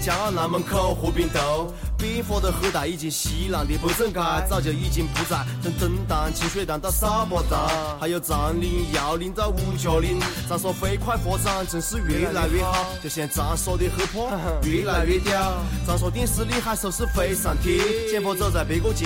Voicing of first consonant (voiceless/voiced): voiceless